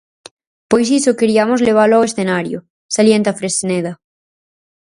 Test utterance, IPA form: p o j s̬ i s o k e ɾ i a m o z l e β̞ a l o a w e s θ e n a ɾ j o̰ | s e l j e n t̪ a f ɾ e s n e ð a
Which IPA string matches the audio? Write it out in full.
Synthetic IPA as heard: p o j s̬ i s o k e ɾ i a m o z l e β̞ a l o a w e s θ e n a ɾ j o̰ | s a l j e n t̪ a f ɾ e s n e ð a

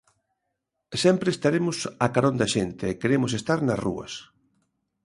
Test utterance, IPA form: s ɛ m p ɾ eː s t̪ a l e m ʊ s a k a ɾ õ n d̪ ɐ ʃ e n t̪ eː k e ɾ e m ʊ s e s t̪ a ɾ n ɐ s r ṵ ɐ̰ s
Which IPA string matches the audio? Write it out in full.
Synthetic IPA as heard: s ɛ m p ɾ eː s t̪ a ɾ e m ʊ s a k a ɾ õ n d̪ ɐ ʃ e n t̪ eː k e ɾ e m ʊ s e s t̪ a ɾ n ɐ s r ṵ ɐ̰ s

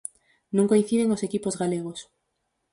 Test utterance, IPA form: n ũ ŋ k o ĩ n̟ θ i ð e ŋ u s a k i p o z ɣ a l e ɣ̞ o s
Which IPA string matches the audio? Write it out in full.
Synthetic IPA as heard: n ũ ŋ k o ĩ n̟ θ i ð e ŋ o s e k i p o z ɣ a l e ɣ̞ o s

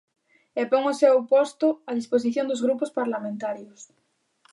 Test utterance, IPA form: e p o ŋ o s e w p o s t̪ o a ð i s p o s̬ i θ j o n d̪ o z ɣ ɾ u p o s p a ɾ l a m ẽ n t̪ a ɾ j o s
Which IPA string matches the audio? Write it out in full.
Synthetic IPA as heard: e p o ŋ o s e w p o s t̪ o a ð i s p o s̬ i θ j o n d̪ o z ɣ ɾ u p o s p a ɾ l a m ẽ n t̪ a ɾ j o s

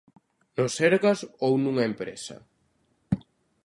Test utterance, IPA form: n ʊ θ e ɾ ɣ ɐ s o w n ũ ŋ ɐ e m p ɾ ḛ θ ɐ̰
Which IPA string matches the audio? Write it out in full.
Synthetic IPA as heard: n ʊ s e ɾ ɣ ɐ s o w n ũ ŋ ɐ e m p ɾ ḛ s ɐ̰

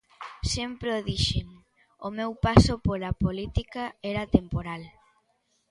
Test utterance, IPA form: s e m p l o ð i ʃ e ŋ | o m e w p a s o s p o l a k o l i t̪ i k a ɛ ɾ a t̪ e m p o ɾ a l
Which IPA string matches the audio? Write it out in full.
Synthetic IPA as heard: s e m p ɾ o ð i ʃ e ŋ | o m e w p a s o p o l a p o l i t̪ i k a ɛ ɾ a t̪ e m p o ɾ a l

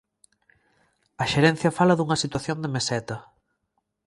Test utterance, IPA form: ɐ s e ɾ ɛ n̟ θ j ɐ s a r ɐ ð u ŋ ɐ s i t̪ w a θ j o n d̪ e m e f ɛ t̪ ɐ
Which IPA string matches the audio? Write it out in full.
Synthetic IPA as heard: ɐ ʃ e ɾ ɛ n̟ θ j ɐ f a l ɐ ð u ŋ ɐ s i t̪ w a θ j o n d̪ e m e s ɛ t̪ ɐ

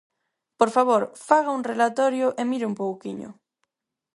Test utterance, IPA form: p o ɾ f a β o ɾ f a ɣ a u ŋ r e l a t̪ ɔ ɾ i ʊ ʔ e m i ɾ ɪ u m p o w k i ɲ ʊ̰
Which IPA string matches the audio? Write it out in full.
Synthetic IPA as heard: p o ɾ f a β o ɾ f a ɣ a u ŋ r e l a t̪ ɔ ɾ j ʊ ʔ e m i ɾ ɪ u m p o w k i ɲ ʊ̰

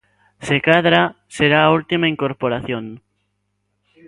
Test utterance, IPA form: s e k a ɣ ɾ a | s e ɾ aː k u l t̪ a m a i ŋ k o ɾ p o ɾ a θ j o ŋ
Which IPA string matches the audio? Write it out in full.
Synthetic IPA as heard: s e k a ð ɾ a | s e ɾ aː u l t̪ i m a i ŋ k o ɾ p o ɾ a θ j o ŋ

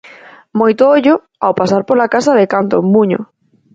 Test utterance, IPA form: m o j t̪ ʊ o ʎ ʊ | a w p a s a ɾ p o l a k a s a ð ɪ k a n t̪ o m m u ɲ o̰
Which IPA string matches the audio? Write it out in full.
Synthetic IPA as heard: m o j t̪ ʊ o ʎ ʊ | a w p a s a ɾ p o l a k a s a ð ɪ k a n t̪ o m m u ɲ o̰

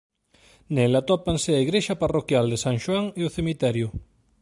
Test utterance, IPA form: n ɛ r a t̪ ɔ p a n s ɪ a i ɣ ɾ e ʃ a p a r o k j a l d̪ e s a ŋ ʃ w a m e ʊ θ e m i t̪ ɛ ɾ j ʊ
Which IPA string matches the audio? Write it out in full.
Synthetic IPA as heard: n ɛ l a t̪ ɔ p a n s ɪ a i ɣ ɾ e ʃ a p a r o k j a l d̪ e s a ŋ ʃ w a ŋ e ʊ θ e m i t̪ ɛ ɾ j ʊ

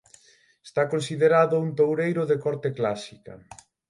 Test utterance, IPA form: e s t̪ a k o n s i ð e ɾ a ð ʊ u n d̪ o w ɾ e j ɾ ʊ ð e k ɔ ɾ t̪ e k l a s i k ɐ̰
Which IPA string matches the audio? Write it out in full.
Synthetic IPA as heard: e s t̪ a k o n s i ð e ɾ a ð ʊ u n t̪ o w ɾ e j ɾ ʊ ð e k ɔ ɾ t̪ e k l a s i k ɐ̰

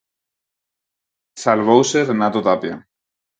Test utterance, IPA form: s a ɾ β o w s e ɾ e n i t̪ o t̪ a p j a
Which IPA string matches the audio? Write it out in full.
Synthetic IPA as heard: s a l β o w s e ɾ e n a t̪ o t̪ a p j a

